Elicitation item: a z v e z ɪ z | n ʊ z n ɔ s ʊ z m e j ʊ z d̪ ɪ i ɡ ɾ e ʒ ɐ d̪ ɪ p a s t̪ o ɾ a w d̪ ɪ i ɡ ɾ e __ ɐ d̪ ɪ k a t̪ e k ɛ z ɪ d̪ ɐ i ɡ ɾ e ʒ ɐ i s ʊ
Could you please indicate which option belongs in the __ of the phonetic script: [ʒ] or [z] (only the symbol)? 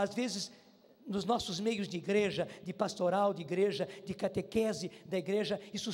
ʒ